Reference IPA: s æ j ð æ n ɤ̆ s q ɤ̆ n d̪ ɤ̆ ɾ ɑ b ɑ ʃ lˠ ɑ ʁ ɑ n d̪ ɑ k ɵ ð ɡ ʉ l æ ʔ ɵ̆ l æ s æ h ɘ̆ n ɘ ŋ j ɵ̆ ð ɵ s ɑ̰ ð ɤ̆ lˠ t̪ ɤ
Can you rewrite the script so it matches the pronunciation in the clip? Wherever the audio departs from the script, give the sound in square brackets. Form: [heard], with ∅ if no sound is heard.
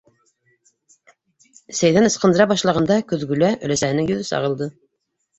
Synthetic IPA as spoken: s æ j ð æ n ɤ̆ s q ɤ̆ n d̪ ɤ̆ ɾ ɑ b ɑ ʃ lˠ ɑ ʁ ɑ n d̪ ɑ k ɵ ð ɡ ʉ l æ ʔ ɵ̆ l æ s æ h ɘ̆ n ɘ ŋ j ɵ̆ ð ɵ s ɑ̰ [ʁ] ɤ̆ lˠ [d̪] ɤ